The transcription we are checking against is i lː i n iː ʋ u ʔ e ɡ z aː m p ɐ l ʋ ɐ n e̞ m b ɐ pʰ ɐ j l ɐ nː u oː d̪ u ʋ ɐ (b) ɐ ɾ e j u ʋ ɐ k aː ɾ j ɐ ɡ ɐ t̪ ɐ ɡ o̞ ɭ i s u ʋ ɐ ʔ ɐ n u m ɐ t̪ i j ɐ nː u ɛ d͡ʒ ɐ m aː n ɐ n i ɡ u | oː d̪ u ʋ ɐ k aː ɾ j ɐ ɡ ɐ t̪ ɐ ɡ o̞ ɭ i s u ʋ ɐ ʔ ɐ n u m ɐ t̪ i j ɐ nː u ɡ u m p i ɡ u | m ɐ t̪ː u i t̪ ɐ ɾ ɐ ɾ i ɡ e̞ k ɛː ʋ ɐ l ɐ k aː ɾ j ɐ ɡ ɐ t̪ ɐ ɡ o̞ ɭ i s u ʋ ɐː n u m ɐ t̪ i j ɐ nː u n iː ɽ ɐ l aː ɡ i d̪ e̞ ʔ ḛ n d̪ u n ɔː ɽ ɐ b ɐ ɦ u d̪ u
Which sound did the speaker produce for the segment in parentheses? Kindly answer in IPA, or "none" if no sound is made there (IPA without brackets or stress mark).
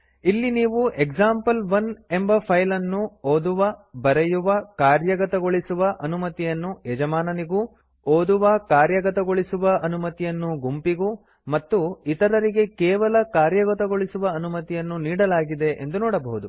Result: b